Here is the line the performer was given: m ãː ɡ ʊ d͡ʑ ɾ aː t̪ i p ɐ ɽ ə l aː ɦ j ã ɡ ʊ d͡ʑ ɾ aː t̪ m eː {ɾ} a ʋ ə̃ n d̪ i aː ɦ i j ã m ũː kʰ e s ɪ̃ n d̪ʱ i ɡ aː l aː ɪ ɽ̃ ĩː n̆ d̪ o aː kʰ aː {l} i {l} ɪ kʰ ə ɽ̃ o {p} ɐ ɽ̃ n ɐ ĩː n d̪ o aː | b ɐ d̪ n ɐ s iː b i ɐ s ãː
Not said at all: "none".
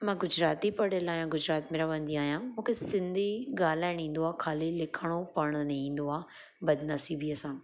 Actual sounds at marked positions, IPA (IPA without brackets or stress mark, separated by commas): ɾ, l, l, p